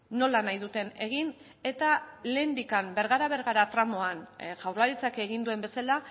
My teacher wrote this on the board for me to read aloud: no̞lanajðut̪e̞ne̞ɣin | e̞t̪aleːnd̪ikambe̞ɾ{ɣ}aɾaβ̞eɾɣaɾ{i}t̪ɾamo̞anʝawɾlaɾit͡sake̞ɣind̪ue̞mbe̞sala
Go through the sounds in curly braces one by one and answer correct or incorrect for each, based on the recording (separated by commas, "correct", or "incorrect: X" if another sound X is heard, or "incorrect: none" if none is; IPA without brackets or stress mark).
correct, incorrect: a